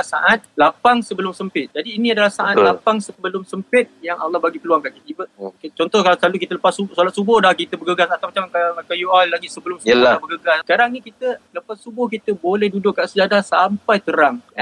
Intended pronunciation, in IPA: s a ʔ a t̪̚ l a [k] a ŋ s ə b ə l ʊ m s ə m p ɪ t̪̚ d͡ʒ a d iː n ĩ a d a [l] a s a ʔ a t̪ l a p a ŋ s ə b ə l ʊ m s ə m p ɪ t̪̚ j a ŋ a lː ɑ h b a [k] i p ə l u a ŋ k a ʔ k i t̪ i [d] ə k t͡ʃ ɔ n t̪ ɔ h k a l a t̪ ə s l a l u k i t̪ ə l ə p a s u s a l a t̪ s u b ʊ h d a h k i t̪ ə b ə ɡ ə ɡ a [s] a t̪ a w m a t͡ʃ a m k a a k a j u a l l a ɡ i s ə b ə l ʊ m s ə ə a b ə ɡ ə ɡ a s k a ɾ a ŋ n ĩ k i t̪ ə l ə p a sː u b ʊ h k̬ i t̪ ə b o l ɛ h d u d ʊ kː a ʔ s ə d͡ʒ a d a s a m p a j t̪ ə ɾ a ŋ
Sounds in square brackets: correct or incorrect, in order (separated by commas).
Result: incorrect, correct, incorrect, incorrect, correct